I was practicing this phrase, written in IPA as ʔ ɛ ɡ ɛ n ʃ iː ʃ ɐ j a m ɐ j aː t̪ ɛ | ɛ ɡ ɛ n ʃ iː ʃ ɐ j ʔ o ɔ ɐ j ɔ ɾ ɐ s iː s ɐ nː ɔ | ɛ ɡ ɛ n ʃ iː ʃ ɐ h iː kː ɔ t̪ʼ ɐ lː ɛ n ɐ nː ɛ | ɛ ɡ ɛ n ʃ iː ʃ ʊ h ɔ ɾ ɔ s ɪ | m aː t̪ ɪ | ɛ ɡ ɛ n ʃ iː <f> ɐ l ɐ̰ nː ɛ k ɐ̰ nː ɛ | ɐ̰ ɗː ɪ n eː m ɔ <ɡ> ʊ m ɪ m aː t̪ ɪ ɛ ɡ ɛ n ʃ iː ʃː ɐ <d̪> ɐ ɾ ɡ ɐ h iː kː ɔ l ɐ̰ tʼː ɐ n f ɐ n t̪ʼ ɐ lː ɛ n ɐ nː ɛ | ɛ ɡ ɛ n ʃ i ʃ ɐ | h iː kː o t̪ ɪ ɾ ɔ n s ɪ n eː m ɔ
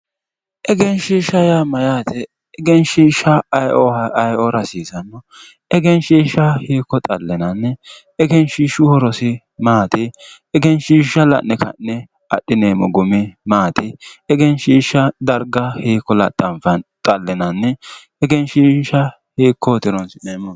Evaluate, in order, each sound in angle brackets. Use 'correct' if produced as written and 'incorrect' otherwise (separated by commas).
incorrect, correct, correct